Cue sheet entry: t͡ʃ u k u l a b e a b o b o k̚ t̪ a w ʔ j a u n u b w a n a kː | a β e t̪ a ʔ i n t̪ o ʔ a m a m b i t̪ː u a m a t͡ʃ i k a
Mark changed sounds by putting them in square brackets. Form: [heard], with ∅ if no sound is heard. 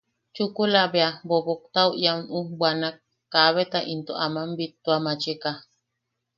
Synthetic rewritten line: t͡ʃ u k u l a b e a b o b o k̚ t̪ a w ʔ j a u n u b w a n a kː | a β e t̪ a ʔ i n t̪ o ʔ a m a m b i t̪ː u a m a t͡ʃ i k a